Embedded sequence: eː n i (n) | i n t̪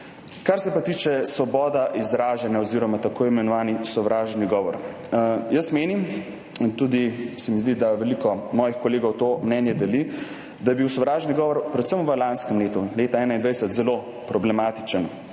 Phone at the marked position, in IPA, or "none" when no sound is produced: m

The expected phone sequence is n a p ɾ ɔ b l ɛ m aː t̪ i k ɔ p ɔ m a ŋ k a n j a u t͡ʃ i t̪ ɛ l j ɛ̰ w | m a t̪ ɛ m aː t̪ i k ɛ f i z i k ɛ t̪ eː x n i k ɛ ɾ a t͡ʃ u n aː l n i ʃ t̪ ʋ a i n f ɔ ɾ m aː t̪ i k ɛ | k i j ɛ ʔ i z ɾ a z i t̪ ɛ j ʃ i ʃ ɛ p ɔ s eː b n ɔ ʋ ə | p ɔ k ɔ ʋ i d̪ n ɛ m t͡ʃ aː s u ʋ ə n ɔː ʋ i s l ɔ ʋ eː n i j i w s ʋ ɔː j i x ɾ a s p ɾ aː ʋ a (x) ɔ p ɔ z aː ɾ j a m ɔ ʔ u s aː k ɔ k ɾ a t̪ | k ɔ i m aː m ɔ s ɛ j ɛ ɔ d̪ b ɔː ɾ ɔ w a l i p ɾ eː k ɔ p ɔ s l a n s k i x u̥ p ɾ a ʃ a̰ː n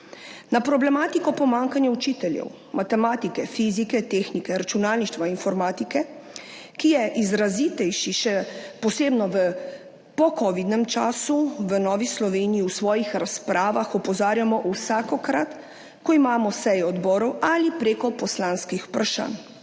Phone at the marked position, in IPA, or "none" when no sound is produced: x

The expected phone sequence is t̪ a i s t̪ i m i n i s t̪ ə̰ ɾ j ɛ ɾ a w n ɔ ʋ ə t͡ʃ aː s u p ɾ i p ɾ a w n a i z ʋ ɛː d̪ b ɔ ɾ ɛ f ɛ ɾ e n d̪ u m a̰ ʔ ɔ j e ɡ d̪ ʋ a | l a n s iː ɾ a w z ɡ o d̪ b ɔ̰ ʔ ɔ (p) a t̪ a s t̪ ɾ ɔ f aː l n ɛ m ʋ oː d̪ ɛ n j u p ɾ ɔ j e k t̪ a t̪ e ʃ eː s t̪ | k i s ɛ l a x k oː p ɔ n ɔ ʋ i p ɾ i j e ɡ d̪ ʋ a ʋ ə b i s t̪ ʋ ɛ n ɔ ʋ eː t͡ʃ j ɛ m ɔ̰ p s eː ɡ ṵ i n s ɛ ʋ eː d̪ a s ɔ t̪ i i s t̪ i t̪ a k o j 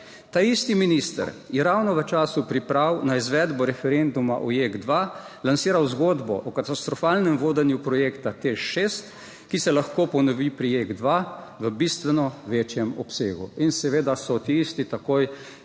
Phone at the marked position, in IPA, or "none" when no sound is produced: k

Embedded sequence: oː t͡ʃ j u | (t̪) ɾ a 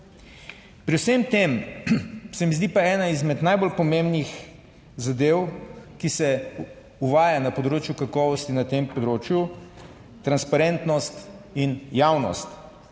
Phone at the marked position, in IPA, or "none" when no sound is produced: t̪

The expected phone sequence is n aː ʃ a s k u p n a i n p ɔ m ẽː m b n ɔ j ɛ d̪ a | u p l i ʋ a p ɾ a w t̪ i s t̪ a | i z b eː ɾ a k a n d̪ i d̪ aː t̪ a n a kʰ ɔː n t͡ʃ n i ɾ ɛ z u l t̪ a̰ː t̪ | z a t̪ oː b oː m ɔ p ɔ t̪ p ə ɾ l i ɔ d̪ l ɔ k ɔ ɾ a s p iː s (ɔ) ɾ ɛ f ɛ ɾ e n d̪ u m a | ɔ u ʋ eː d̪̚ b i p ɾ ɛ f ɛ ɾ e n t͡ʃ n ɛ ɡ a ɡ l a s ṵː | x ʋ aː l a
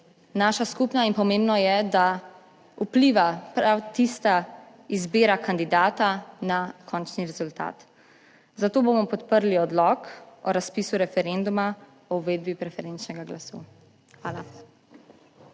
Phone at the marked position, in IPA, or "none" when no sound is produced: u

